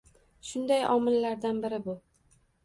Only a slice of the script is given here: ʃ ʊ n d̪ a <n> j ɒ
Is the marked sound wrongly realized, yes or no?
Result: yes